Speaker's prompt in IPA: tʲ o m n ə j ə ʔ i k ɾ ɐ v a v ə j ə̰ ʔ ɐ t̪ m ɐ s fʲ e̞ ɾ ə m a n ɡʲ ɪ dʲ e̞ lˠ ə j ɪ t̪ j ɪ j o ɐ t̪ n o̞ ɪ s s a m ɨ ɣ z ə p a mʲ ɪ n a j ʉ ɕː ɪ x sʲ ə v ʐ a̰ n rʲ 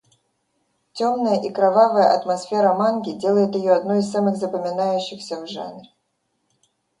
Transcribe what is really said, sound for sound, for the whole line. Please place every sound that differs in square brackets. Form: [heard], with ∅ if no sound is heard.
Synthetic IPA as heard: tʲ o m n ə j ə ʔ i k ɾ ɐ v a v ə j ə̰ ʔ ɐ t̪ m ɐ s fʲ e̞ ɾ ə m a n ɡʲ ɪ dʲ e̞ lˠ ə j ɪ t̪ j ɪ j o ɐ [d̪] n o̞ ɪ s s a m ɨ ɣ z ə p [ə] mʲ ɪ n a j ʉ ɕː ɪ x sʲ ə v ʐ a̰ n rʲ